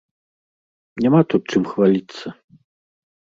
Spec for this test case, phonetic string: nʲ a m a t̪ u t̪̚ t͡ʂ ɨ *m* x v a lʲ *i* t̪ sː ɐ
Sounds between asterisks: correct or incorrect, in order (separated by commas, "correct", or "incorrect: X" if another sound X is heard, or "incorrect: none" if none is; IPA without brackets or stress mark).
correct, correct